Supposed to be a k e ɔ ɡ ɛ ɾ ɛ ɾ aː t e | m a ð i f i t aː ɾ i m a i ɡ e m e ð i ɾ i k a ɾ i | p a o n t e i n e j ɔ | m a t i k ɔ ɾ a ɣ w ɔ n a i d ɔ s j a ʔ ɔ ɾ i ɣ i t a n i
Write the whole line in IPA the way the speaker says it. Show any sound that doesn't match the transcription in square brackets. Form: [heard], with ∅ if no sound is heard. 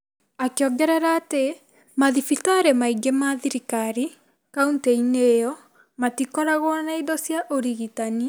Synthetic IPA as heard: a k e ɔ ɡ ɛ ɾ ɛ ɾ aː t e | m a ð i f i t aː ɾ [e] m a i ɡ e m [a] ð i ɾ i k a ɾ i | [k] a [u] n t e i n e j ɔ | m a t i k ɔ ɾ a ɣ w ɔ n a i d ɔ s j a ʔ [o] ɾ i ɣ i t a n i